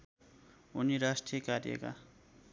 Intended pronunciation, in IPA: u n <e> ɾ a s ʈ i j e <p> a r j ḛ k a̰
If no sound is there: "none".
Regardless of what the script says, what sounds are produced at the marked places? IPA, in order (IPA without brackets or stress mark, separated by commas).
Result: i, k